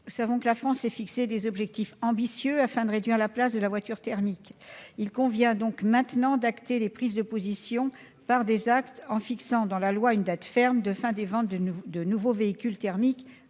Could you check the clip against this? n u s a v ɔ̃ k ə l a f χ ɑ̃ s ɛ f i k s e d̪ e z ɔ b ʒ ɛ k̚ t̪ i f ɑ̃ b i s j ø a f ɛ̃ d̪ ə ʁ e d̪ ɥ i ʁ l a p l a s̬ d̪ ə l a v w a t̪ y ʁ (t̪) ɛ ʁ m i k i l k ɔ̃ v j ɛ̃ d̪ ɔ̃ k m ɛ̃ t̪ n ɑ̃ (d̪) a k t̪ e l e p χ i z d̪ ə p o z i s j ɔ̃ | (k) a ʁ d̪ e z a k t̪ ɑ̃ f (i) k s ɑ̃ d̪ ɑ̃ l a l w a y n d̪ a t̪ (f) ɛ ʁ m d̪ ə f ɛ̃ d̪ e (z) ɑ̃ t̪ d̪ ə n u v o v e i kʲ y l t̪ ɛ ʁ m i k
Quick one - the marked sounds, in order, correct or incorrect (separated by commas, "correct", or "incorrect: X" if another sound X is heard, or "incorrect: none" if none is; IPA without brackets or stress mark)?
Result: correct, correct, incorrect: p, correct, correct, incorrect: v